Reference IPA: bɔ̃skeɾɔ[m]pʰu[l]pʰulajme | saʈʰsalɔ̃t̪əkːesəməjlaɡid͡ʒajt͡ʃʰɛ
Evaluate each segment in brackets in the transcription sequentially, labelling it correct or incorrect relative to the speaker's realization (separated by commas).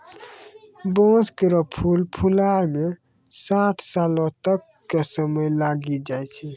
incorrect, correct